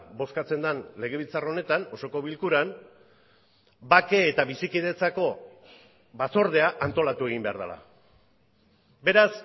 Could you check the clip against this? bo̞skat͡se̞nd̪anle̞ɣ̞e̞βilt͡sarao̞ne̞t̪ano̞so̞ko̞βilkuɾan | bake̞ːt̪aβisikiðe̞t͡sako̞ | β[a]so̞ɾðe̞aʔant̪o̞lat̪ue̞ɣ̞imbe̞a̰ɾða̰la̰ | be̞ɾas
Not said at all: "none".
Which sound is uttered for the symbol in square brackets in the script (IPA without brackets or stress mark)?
a